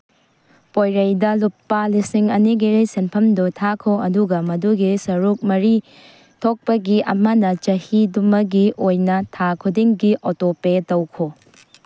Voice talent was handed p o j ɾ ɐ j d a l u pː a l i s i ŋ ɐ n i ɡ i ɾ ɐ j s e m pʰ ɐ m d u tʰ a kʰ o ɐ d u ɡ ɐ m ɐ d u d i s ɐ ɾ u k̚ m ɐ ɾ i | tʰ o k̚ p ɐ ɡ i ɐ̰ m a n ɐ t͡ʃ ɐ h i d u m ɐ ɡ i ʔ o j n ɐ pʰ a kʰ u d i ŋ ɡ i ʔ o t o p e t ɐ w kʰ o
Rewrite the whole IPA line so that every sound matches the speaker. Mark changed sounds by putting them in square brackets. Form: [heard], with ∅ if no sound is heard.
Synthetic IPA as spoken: p o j ɾ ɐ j d [ɐ] l u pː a l i s i ŋ ɐ n i ɡ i ɾ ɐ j s e [n] pʰ ɐ m d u tʰ a kʰ o ɐ d u ɡ ɐ m ɐ d u [ɡ] i s ɐ ɾ u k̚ m ɐ ɾ i | tʰ o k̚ p ɐ ɡ i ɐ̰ m [ɐ] n ɐ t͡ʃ ɐ h i d u m ɐ ɡ i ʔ o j n ɐ [tʰ] a kʰ u d i ŋ ɡ i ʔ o t o p e t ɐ w kʰ o